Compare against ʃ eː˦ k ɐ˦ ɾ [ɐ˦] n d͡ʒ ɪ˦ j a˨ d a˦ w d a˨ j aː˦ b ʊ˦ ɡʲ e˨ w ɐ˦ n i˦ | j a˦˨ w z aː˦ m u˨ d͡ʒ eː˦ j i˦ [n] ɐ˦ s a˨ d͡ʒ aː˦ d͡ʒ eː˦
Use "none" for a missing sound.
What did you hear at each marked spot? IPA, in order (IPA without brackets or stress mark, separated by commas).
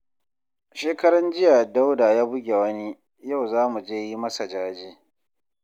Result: ɐ˦, m